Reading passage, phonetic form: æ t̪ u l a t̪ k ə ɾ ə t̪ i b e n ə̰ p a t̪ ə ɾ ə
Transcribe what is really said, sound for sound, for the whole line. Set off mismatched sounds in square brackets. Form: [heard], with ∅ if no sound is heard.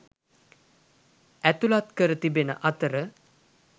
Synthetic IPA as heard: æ t̪ u l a t̪ k ə ɾ ə t̪ i b e n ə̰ [ʔ] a t̪ ə ɾ ə